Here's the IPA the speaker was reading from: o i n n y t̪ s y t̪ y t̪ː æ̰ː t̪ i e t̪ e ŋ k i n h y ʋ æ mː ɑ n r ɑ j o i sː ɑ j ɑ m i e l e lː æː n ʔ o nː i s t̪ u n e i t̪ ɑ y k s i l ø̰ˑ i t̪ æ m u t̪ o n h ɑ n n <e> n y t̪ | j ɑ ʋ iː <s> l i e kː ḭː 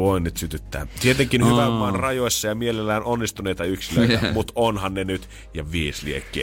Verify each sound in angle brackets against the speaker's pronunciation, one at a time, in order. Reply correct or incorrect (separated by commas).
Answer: correct, correct